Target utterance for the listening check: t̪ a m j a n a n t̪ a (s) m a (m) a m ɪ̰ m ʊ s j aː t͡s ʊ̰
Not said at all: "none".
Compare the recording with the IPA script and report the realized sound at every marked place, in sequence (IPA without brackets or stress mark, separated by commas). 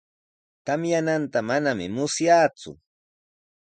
none, n